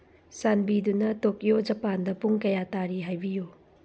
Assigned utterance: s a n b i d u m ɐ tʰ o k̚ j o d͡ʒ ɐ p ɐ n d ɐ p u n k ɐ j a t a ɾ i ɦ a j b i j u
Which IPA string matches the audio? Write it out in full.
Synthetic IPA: s a n b i d u n ɐ t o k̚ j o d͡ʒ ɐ p a n d ɐ p u ŋ k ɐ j a t a ɾ i ɦ a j b i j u